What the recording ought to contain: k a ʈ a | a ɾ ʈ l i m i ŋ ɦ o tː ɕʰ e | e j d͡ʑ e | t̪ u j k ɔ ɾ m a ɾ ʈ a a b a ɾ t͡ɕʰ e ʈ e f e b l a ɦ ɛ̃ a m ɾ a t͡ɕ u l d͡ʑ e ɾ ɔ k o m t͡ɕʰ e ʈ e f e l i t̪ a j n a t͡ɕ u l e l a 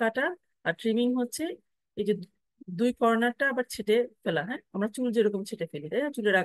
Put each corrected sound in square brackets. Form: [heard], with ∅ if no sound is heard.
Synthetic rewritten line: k a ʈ a | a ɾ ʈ [ɾ] i m i ŋ ɦ o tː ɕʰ e | e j d͡ʑ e | [d̪] u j k ɔ ɾ [n] a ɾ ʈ a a b a ɾ t͡ɕʰ e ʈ e f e [∅] l a ɦ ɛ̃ a m ɾ a t͡ɕ u l d͡ʑ e ɾ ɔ k o m t͡ɕʰ e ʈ e f e l i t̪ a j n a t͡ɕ u l e [ɾ] a